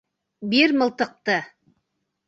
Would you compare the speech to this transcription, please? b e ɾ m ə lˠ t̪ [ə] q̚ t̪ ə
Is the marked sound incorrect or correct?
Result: correct